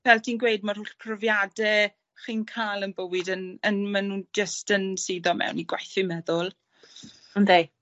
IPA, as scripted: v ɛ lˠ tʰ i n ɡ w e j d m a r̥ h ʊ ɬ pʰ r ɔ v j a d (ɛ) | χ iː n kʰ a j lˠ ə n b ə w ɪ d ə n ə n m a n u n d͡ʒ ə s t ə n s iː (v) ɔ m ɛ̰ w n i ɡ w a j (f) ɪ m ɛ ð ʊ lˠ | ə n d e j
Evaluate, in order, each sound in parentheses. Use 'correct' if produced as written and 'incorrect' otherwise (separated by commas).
correct, incorrect, incorrect